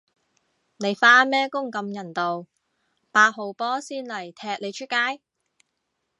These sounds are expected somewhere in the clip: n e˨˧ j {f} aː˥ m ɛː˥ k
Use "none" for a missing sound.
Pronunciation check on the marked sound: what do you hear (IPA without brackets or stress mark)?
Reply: f